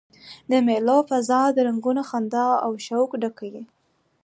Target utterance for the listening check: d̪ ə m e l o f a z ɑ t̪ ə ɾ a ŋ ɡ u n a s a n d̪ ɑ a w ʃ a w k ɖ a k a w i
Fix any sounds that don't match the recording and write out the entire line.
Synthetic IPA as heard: d̪ ə m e l o f a z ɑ d̪ ə ɾ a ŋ ɡ u n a x a n d̪ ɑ a w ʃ a w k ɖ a k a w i